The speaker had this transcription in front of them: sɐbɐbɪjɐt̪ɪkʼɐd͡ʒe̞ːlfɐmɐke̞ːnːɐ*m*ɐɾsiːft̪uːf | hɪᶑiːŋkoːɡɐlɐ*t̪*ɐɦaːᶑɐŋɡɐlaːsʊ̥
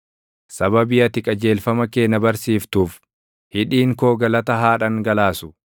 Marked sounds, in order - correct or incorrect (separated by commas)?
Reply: incorrect, correct